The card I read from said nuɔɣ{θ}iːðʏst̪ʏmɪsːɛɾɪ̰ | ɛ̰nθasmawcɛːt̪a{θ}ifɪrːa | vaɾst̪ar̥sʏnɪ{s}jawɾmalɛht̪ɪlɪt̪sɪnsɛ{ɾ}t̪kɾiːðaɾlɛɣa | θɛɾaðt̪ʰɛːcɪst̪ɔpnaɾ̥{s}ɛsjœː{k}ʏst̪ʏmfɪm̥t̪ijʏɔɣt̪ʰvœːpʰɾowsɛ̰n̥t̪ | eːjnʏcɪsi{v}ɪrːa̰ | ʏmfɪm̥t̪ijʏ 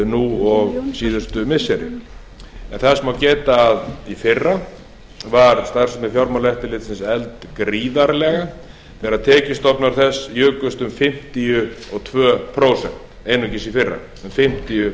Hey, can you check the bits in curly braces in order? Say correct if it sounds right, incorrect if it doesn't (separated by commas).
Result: incorrect, incorrect, incorrect, incorrect, incorrect, correct, incorrect